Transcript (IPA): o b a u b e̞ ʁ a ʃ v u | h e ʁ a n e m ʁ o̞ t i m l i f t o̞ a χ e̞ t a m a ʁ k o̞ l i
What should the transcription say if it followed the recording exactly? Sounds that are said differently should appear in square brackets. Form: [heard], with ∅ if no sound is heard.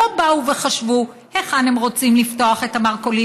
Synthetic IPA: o b a u [v] e̞ [χ] a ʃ v u | h e [χ] a n e m ʁ o̞ [t͡s] i m l i f t o̞ a χ e̞ t a m a ʁ k o̞ l i